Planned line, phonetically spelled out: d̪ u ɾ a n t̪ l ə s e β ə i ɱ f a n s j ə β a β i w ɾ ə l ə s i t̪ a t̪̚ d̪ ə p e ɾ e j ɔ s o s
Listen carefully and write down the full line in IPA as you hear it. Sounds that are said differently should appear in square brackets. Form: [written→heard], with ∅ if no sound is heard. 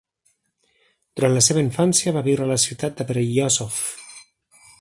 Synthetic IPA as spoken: d̪ u ɾ a n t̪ l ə s e β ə i ɱ f a n s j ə β a β i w ɾ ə l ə s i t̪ a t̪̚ d̪ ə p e ɾ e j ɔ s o [s→f]